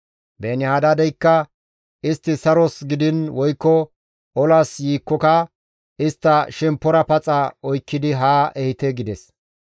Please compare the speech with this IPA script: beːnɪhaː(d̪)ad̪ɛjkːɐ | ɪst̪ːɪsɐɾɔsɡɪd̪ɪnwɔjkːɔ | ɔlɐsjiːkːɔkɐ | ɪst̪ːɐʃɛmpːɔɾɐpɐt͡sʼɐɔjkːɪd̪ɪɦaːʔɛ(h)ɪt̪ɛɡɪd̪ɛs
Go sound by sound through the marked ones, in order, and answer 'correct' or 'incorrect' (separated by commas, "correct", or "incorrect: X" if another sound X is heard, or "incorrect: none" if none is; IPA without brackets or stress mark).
correct, correct